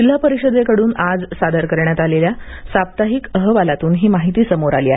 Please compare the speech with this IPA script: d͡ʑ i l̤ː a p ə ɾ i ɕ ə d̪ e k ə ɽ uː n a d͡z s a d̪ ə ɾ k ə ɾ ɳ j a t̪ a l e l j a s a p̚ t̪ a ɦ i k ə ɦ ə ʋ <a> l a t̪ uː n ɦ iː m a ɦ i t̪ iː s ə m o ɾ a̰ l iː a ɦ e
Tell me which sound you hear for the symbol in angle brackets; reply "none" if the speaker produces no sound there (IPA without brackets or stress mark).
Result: a